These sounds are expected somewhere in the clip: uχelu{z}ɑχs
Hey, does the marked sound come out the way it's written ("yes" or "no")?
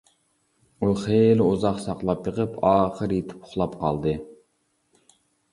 yes